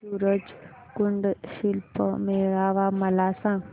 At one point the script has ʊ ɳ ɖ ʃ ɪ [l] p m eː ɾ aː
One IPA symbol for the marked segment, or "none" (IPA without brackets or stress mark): l